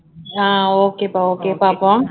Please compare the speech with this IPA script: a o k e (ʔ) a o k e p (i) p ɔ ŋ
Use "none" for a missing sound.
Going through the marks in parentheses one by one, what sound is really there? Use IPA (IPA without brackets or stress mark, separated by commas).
p, a